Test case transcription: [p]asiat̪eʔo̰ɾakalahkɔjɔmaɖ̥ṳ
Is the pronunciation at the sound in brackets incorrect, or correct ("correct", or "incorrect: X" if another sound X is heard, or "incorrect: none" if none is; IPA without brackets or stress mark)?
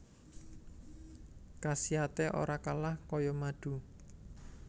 incorrect: k